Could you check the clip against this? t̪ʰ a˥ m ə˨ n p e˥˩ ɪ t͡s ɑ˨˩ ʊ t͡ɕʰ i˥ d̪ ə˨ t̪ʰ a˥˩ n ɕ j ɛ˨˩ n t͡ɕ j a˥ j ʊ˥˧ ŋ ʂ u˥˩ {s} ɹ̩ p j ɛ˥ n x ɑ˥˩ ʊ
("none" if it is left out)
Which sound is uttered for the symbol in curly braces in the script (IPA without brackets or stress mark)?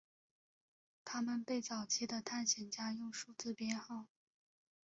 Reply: t͡s